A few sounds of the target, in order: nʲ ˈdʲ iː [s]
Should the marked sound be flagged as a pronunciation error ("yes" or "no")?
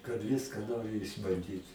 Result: yes